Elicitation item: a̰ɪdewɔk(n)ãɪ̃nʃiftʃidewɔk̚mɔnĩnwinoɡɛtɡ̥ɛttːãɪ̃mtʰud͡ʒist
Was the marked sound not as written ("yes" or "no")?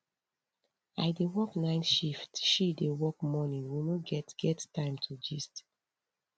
no